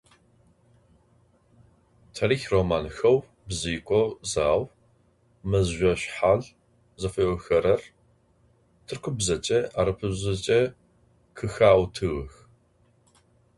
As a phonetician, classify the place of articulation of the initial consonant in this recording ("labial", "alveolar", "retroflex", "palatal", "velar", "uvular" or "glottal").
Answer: alveolar